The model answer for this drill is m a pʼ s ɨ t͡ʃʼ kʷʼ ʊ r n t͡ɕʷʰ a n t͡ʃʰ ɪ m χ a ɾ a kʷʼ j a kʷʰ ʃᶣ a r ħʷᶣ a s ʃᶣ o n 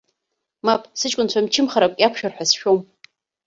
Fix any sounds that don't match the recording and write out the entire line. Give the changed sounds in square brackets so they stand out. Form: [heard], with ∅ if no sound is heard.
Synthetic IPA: m a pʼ s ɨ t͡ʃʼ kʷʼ ʊ [∅] n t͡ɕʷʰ a [m] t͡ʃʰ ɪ m χ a ɾ a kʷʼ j a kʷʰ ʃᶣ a r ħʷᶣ a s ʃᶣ o [m]